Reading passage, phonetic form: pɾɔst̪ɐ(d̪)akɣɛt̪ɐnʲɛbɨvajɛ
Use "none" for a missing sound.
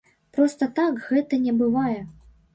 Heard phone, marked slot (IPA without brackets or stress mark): t̪